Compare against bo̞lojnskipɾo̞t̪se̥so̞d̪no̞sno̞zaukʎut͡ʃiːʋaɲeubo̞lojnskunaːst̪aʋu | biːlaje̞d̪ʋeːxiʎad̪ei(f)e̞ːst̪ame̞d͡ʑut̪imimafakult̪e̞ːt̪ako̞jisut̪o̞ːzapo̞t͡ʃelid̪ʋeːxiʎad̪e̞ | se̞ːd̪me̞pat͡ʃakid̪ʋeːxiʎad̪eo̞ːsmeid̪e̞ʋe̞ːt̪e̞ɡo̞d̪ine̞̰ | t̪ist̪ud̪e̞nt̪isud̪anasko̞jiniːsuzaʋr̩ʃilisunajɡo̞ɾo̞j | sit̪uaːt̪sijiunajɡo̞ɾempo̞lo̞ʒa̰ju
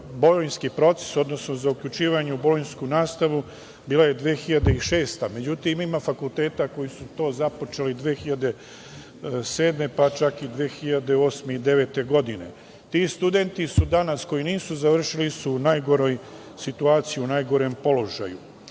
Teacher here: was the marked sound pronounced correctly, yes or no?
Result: no